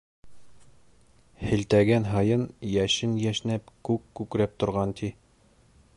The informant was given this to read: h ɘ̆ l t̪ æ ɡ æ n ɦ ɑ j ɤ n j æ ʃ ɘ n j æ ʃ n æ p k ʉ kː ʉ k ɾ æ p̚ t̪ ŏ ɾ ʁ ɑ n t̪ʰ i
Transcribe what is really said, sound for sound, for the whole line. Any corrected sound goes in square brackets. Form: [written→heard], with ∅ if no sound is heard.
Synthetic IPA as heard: h ɘ̆ l t̪ æ ɡ æ n ɦ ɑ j ɤ n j æ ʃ ɘ n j æ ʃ n æ p k ʉ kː ʉ k ɾ æ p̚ t̪ ŏ ɾ ʁ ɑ n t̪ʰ i